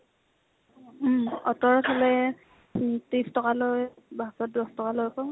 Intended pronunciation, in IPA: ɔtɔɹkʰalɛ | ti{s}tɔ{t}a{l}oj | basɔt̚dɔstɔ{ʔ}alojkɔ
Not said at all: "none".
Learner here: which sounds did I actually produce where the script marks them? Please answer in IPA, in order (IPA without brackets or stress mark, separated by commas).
s, k, l, k